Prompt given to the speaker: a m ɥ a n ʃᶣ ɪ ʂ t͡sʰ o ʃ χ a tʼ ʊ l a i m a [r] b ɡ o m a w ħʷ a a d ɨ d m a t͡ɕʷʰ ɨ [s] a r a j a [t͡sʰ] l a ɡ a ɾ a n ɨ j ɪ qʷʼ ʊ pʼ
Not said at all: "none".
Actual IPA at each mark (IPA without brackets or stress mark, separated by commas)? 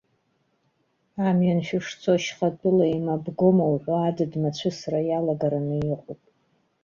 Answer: none, s, none